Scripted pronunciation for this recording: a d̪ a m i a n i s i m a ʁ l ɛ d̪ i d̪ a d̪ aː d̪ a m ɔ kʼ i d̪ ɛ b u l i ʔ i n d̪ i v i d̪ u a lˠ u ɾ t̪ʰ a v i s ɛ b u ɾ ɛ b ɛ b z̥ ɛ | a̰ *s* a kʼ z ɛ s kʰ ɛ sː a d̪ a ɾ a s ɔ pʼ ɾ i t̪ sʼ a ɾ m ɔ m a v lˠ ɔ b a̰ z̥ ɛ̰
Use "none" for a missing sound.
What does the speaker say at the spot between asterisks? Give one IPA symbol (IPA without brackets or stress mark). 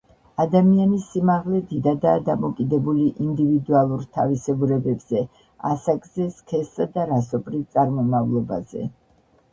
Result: s